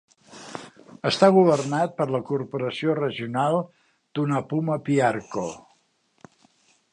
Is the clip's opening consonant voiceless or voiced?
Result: voiceless